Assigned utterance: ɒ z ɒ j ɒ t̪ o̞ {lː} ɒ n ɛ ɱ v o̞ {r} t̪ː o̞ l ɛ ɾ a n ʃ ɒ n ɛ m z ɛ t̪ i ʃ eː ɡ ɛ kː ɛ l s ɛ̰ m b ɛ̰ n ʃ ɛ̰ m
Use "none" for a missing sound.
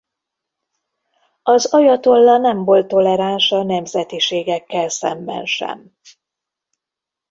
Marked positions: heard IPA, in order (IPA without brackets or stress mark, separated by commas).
lː, l